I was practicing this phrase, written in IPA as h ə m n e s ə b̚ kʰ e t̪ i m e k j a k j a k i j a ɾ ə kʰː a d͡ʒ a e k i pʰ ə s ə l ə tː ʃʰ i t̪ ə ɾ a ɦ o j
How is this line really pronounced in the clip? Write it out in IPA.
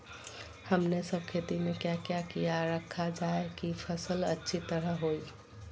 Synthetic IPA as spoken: h ə m n e s ə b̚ kʰ e t̪ i m e k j a k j a k i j a ɾ ə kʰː a d͡ʒ a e k i pʰ ə s ə l ə tː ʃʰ i t̪ ə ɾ ə ɦ o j